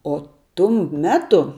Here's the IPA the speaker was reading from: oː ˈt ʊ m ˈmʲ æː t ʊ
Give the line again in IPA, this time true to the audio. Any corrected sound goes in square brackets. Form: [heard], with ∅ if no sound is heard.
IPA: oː ˈt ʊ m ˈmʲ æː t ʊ